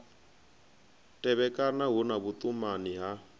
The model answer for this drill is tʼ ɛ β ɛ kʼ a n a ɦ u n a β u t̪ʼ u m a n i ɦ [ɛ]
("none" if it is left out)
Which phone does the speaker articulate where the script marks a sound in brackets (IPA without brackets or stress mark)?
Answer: a